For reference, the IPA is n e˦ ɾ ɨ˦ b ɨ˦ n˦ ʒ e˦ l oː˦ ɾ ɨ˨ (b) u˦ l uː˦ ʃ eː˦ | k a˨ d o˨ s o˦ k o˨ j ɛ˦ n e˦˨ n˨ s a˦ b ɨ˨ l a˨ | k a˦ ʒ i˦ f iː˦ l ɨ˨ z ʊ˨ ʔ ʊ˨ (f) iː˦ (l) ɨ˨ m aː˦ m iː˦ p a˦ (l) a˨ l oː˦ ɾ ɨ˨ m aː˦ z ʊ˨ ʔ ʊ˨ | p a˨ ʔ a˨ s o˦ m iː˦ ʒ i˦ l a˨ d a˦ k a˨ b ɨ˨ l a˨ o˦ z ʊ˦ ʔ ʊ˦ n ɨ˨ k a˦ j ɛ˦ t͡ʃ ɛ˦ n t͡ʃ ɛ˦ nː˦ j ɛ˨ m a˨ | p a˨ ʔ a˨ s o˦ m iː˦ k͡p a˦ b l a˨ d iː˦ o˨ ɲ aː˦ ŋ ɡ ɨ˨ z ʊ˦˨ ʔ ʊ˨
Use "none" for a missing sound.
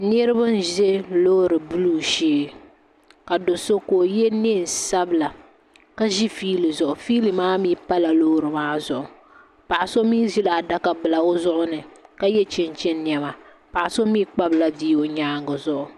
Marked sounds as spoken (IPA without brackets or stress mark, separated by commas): b, f, l, l